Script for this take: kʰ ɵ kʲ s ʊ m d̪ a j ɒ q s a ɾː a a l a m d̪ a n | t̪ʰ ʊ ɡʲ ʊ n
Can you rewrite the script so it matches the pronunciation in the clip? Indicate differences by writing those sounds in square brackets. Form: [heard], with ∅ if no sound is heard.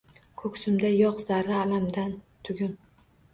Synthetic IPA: kʰ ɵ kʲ s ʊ m d̪ a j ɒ q [z] a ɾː a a l a m d̪ a n | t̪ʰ ʊ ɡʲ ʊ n